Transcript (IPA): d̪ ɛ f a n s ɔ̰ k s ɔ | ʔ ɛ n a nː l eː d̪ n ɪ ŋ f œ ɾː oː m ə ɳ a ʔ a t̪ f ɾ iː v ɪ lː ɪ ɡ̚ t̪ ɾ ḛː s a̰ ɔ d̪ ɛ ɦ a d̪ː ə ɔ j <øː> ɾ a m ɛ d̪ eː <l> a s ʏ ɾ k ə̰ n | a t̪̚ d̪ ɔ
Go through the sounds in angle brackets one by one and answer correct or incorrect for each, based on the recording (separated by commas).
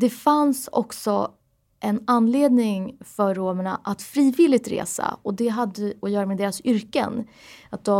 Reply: incorrect, incorrect